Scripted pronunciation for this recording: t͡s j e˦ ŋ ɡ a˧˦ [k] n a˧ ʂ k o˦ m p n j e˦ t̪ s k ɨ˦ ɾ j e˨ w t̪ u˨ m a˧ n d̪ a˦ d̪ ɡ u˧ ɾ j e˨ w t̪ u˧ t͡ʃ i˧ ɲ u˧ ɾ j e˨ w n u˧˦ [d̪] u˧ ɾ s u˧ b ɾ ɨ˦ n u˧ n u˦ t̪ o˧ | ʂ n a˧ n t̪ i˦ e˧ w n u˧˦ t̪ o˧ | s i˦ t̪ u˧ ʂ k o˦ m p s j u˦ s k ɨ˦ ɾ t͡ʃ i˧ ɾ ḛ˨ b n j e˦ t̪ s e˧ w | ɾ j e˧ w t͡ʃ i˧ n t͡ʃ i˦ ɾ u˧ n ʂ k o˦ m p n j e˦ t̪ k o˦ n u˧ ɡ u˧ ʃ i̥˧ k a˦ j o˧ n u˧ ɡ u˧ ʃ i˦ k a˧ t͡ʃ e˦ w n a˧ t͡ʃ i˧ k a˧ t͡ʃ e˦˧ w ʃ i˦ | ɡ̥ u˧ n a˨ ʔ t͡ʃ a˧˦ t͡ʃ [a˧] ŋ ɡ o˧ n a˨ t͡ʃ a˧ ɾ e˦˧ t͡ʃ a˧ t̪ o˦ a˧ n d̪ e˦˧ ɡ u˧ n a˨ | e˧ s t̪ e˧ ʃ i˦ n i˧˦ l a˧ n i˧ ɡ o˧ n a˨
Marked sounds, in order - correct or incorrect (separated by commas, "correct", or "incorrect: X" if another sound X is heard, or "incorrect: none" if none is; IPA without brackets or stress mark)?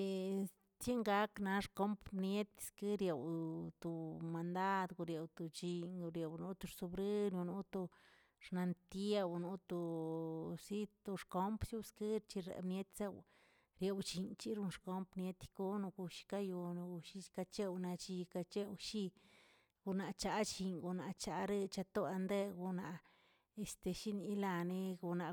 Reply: correct, incorrect: t̪, incorrect: i˧